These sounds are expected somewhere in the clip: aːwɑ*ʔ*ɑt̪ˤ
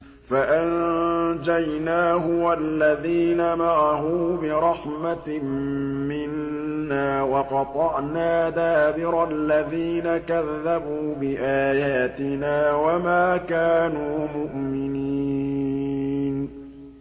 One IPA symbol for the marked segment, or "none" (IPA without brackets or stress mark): q